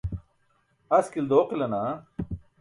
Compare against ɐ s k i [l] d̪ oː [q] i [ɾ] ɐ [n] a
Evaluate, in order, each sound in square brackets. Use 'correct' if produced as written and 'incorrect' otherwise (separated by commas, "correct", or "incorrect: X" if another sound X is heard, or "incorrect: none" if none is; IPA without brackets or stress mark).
correct, correct, incorrect: l, correct